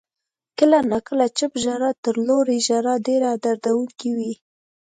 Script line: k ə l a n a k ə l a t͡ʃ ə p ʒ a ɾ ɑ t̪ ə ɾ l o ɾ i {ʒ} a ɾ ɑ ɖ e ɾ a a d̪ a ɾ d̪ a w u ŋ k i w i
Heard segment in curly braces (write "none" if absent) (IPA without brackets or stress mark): ʒ